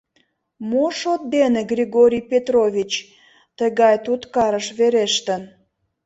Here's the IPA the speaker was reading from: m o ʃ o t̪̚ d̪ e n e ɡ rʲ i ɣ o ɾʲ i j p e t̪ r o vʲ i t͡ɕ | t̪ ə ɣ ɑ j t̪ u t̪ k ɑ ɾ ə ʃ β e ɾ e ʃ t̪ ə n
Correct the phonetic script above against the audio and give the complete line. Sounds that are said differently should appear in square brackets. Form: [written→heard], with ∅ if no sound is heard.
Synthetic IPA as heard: m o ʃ o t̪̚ d̪ e n e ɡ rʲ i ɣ o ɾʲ i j p e t̪ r o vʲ i t͡ɕ | t̪ ə ɣ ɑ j t̪ u t̪ k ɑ ɾ ə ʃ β e ɾ e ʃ t̪ ə n